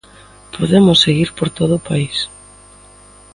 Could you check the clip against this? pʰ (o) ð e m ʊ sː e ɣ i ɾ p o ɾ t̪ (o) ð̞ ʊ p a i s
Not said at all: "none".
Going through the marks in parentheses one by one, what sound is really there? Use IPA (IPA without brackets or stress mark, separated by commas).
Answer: o, o